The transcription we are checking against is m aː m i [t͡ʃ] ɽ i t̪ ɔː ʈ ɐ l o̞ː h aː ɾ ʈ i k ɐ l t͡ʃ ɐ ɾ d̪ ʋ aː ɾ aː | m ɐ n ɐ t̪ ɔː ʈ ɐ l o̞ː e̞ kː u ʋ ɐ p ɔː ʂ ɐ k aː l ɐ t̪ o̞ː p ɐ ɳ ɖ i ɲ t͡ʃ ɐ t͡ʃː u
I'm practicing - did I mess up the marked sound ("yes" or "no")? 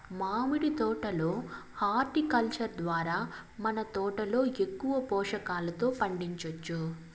yes